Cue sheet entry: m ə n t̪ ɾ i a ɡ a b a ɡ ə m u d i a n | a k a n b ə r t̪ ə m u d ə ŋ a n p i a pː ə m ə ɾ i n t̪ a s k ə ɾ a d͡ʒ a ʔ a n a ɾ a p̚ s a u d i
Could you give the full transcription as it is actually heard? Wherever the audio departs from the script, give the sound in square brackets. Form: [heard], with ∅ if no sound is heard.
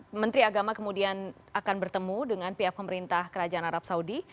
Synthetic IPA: m ə n t̪ ɾ i a ɡ a [m] a [k] ə m u d i a n | a k a n b ə r t̪ ə m u d ə ŋ a n p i a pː ə m ə ɾ i n t̪ a [h] k ə ɾ a d͡ʒ a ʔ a n a ɾ a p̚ s a u d i